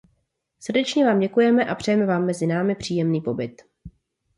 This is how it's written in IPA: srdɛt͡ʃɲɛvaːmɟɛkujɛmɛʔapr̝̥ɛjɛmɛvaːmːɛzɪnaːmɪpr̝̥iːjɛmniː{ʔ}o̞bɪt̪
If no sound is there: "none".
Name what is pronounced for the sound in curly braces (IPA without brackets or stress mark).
p